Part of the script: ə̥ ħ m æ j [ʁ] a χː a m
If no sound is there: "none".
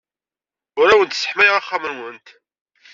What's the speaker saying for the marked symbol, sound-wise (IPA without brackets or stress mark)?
ʁ